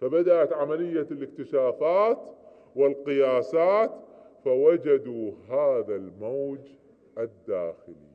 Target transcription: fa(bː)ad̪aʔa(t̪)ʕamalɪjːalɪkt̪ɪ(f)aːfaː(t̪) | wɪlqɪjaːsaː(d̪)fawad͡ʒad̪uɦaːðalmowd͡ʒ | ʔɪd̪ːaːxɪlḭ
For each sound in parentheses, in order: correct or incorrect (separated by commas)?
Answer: incorrect, correct, incorrect, correct, incorrect